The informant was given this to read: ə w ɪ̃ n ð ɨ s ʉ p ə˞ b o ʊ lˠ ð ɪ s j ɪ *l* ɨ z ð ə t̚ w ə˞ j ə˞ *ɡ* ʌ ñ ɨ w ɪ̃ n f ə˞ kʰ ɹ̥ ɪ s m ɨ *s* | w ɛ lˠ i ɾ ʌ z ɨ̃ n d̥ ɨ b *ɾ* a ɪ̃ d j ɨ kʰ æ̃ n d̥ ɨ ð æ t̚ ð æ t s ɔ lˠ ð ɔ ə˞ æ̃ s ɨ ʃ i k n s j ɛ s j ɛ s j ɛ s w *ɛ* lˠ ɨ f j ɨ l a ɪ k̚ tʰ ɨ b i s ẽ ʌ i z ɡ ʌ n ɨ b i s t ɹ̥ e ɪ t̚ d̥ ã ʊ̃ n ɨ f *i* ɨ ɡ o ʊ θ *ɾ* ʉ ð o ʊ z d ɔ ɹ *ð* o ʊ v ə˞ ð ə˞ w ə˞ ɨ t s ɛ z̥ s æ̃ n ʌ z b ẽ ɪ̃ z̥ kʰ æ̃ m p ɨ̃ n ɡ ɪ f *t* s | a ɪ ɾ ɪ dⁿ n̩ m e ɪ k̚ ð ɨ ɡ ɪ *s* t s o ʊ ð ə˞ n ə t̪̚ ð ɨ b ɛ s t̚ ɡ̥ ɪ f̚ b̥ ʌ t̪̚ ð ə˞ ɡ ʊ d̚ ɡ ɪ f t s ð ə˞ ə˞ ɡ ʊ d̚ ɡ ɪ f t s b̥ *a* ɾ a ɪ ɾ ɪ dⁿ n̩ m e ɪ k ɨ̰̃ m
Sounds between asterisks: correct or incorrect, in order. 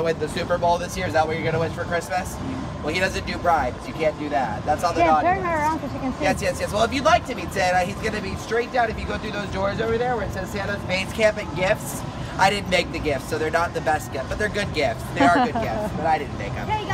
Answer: incorrect, correct, correct, incorrect, correct, incorrect, incorrect, incorrect, correct, incorrect, incorrect

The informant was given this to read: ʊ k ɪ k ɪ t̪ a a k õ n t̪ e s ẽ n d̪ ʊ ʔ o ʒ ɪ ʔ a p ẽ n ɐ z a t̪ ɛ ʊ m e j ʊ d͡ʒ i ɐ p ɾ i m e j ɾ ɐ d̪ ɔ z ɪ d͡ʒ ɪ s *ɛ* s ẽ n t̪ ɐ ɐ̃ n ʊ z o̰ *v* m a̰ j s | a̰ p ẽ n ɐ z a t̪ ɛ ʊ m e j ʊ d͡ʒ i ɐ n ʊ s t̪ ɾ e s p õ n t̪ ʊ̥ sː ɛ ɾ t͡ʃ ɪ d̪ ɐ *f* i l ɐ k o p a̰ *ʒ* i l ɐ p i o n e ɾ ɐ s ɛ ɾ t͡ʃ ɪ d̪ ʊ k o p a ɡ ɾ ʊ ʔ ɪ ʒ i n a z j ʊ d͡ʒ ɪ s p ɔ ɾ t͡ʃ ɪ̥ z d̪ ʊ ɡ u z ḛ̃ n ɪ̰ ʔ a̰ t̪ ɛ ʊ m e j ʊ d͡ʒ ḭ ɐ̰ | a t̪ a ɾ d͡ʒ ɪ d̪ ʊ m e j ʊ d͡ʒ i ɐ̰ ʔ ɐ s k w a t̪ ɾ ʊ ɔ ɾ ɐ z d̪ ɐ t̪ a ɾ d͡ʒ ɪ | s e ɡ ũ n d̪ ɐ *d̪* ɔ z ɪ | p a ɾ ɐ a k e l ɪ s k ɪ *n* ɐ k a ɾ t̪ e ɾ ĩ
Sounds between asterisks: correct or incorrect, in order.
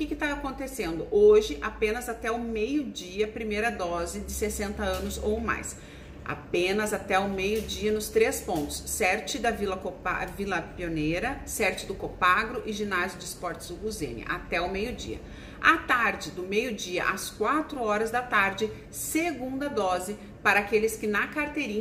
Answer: incorrect, incorrect, incorrect, incorrect, correct, correct

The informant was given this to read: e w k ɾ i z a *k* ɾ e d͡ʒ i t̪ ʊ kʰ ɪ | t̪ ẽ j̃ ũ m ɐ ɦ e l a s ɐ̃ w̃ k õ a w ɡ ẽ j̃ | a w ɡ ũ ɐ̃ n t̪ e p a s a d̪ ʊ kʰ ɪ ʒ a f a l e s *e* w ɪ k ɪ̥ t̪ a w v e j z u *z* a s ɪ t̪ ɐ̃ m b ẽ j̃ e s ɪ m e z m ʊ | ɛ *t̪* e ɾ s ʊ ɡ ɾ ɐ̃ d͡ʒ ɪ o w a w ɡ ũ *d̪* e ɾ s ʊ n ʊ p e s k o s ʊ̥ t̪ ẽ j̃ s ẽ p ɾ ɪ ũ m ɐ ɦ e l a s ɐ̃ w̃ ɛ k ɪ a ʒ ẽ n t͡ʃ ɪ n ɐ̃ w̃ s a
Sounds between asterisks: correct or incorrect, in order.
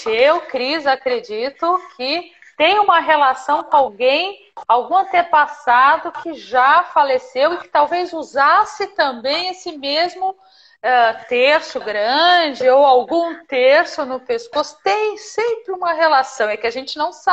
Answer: correct, correct, correct, correct, incorrect

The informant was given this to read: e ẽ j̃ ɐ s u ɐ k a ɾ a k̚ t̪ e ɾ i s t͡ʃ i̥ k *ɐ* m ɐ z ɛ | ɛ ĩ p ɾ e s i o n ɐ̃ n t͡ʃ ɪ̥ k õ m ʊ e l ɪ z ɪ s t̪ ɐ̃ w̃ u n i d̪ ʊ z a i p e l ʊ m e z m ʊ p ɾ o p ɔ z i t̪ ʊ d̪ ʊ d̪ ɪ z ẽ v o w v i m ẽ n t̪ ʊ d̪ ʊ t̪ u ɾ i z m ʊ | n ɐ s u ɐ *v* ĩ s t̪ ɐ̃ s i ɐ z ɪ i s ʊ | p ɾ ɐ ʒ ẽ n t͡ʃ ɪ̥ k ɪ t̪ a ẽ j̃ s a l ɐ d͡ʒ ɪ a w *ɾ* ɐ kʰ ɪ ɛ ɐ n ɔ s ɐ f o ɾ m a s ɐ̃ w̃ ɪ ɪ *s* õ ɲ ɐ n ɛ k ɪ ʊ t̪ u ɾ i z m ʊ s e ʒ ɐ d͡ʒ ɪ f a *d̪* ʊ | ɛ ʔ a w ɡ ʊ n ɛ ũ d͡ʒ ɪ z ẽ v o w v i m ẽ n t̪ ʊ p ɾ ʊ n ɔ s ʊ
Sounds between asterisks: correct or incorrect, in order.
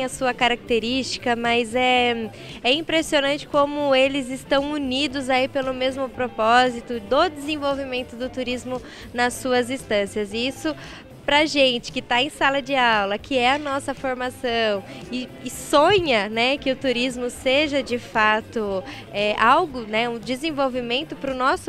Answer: correct, incorrect, incorrect, correct, incorrect

